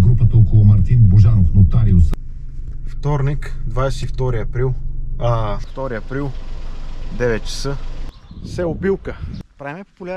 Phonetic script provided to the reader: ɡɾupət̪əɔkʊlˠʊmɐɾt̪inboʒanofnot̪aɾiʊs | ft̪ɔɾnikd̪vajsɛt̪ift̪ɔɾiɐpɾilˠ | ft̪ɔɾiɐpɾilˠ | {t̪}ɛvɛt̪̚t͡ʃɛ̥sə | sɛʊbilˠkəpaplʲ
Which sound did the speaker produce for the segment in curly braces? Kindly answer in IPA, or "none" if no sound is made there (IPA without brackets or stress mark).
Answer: d̪